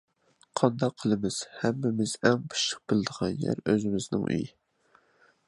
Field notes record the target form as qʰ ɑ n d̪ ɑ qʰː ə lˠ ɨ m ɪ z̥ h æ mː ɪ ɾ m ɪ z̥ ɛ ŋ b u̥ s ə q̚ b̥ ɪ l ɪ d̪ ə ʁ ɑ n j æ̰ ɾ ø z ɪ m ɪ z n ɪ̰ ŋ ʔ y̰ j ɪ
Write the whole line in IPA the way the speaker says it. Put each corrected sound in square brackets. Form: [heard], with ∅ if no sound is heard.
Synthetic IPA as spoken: qʰ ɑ n d̪ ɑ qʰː ə lˠ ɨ m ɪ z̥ h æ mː ɪ [∅] m ɪ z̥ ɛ ŋ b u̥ [ʃ] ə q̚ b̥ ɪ l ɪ d̪ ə ʁ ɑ n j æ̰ ɾ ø z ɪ m ɪ z n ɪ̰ ŋ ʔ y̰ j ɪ